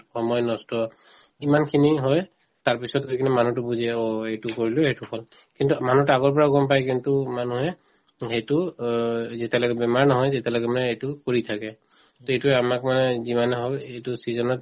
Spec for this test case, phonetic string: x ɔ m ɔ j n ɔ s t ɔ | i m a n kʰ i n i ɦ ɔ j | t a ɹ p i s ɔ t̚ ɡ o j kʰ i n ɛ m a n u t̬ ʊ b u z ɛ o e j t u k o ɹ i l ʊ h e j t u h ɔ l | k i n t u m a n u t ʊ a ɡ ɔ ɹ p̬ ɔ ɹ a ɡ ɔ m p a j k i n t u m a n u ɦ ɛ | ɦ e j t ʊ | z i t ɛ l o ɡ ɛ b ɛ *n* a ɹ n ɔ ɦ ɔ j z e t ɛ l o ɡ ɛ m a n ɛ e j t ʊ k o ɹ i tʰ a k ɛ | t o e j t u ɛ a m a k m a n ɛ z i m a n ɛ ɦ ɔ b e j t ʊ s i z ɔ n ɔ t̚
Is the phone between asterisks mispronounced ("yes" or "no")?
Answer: yes